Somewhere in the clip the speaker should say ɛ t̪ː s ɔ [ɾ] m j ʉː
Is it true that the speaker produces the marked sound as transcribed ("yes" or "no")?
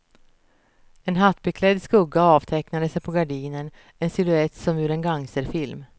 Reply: no